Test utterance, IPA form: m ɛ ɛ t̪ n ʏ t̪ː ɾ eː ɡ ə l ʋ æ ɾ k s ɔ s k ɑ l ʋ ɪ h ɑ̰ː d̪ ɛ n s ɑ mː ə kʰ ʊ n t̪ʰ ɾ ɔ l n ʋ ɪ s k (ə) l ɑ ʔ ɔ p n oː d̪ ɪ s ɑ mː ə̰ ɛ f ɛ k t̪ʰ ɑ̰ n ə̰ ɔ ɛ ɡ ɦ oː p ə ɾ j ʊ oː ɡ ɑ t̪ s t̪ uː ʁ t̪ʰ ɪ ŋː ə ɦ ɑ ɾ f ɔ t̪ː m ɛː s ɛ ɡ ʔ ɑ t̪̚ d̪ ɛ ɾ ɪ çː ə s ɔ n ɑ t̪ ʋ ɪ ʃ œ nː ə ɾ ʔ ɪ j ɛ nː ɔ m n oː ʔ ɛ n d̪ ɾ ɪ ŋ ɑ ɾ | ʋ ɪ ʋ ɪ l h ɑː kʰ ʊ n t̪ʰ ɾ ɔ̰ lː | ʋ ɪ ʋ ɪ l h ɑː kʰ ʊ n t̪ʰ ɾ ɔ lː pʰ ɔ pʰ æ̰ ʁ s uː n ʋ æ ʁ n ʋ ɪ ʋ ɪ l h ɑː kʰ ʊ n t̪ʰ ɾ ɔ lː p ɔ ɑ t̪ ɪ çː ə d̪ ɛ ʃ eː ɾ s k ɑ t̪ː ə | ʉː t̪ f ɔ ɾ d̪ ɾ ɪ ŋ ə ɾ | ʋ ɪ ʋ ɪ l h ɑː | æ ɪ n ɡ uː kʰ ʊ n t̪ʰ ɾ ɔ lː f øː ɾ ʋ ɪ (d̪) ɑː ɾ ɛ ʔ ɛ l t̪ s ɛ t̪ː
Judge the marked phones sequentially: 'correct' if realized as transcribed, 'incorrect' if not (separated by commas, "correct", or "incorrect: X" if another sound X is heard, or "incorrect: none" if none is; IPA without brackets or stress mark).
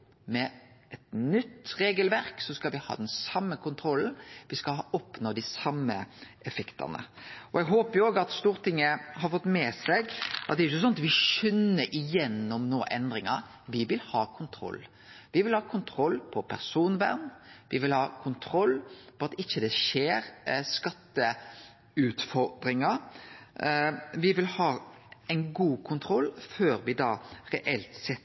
incorrect: ɑ, correct